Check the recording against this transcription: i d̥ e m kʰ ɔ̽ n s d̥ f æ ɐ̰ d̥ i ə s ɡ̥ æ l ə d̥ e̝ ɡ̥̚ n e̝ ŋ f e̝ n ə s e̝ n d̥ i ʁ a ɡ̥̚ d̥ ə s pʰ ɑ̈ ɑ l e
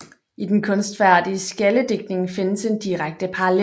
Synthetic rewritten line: i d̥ e n kʰ ɔ̽ n s d̥ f æ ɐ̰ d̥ i ə s ɡ̥ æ l ə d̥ e̝ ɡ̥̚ n e̝ ŋ f e̝ n ə s e̝ n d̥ i ʁ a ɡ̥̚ d̥ ə pʰ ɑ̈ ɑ l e